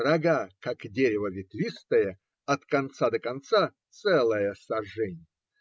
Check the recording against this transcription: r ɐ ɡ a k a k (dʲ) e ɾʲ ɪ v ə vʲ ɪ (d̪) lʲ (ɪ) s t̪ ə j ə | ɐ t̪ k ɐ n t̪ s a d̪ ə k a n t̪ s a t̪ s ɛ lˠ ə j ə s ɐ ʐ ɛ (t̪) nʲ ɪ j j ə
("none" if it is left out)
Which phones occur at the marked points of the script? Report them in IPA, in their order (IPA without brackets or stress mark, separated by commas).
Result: dʲ, t̪, i, none